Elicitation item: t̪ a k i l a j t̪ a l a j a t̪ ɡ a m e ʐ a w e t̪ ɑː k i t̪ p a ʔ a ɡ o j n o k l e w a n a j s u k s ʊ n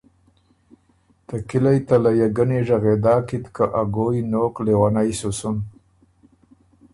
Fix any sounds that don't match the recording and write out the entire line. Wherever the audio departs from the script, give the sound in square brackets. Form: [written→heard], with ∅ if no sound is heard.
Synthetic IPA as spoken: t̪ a k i l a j t̪ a l a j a [t̪→∅] ɡ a [m→n] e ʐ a [w→ɣ] e [t̪→d̪] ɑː k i t̪ [p→k] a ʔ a ɡ o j n o k l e w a n a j s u [k→∅] s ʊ n